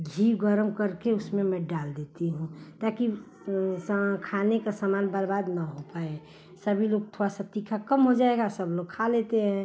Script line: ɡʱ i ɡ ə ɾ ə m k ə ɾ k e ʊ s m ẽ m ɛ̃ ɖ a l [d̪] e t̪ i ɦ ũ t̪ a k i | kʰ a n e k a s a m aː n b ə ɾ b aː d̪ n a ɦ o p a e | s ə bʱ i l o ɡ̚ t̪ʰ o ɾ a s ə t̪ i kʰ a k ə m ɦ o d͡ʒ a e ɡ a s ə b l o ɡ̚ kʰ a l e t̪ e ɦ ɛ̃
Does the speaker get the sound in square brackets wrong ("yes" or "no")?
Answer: no